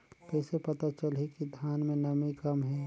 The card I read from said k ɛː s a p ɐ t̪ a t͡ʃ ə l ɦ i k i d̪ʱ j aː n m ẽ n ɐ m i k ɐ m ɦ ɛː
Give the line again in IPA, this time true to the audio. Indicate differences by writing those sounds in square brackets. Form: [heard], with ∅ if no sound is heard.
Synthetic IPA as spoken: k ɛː s [e] p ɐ t̪ a t͡ʃ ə l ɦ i k i d̪ʱ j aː n m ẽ n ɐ m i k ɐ m ɦ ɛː

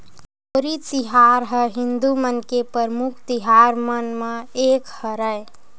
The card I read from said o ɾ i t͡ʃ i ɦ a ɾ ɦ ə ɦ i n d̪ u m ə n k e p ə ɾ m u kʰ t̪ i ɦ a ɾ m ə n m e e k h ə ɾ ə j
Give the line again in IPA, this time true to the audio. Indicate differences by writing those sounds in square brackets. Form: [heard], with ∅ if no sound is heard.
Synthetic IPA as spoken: o ɾ i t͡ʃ i ɦ a ɾ ɦ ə ɦ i n d̪ u m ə n k e p ə ɾ m u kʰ t̪ i ɦ a ɾ m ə n m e e k h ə ɾ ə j

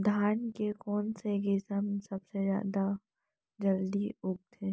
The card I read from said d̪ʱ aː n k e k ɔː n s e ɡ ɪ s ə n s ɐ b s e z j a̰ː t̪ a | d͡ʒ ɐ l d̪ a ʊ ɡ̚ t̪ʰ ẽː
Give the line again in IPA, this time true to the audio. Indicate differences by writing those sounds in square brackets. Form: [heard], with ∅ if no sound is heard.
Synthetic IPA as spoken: d̪ʱ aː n k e k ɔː n s e ɡ ɪ s ə [m] s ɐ b s e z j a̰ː [d̪] a | d͡ʒ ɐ l d̪ [i] ʊ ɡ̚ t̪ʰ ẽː

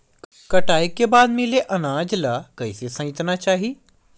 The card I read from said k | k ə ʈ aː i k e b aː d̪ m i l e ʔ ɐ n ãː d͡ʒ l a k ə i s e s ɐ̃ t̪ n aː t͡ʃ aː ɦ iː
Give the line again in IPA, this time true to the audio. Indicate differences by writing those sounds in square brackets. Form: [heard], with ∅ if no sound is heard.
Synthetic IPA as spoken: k | k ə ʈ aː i k e b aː d̪ m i l e ʔ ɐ n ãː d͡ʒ l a k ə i s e s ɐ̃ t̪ n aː t͡ʃ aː ɦ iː

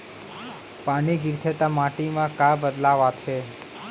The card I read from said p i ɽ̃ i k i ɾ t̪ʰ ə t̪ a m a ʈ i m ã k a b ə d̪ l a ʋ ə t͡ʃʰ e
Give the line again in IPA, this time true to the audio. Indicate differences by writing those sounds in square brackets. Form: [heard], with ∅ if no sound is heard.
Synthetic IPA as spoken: p [a] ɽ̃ i [ɡ] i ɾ t̪ʰ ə t̪ a m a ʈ i m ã k a b ə d̪ l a ʋ [a] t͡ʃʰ e

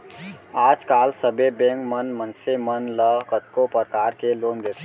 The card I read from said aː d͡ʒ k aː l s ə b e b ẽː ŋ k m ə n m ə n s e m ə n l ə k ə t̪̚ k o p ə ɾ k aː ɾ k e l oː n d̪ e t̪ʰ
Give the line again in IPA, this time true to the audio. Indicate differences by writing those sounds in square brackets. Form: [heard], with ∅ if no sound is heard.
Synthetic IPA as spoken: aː d͡ʒ k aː l s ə b e b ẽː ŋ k m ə n m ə n s e m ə n l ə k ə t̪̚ k o p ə ɾ k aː ɾ k e l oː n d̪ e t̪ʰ

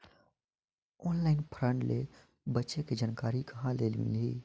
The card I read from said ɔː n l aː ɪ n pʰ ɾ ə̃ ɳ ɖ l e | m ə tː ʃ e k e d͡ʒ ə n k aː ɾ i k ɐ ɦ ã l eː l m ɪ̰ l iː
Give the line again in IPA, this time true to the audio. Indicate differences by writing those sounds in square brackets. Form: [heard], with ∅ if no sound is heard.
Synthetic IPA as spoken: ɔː n l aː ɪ n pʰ ɾ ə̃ ɳ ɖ l e | [b] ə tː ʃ e k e d͡ʒ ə n k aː ɾ i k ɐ ɦ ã l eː l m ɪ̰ l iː

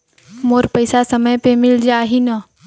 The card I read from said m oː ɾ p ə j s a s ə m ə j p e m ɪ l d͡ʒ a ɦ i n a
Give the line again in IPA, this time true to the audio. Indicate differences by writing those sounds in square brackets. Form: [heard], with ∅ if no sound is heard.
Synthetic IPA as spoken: m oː ɾ p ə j s a s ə m ə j p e m ɪ l d͡ʒ a ɦ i n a

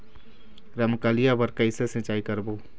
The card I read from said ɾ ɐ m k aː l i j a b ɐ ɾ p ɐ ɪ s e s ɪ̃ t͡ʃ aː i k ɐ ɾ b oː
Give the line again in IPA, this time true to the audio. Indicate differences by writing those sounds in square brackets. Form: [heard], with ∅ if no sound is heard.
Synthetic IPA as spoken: ɾ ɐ m k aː l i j a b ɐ ɾ [k] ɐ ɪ s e s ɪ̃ t͡ʃ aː i k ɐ ɾ b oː

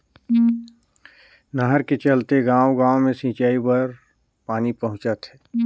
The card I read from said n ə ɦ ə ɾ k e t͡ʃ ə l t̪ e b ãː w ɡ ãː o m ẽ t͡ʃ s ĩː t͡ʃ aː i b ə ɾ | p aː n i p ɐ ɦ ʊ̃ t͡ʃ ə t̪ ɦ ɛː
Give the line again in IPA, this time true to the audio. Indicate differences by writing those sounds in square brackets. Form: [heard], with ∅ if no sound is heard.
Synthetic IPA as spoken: n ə ɦ ə ɾ k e t͡ʃ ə l t̪ e [ɡ] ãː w ɡ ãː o m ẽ [∅] s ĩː t͡ʃ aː i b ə ɾ | p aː n i p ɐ ɦ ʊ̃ t͡ʃ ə t̪ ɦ ɛː

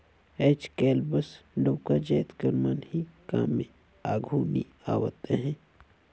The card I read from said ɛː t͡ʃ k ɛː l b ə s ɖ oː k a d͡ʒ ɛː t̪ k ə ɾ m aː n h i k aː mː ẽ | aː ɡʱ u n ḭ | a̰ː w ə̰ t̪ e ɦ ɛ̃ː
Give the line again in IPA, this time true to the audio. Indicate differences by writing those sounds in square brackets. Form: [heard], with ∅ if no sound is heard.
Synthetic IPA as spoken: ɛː t͡ʃ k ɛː l b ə s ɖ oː k a d͡ʒ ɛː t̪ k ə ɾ m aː n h i k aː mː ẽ | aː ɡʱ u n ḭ | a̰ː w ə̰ t̪ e ɦ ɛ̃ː

